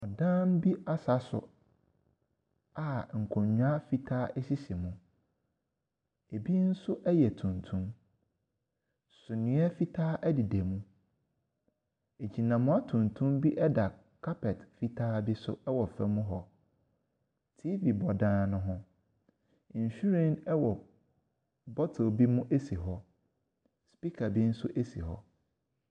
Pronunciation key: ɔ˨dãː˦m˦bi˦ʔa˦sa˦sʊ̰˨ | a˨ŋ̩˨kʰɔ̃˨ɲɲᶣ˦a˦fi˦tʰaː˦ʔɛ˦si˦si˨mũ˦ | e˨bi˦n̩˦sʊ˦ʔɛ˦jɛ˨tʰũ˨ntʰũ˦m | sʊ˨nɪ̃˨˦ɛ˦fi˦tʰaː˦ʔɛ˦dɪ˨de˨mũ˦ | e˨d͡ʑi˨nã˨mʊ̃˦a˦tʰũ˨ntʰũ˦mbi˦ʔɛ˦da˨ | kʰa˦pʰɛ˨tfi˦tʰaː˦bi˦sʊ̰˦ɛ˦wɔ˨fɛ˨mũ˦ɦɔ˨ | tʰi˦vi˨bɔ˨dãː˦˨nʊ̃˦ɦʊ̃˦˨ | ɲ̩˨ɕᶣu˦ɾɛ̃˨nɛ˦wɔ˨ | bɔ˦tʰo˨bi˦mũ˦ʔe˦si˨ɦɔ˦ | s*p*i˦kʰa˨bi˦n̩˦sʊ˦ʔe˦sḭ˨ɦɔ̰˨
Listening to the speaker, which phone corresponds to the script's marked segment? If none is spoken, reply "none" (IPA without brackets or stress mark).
p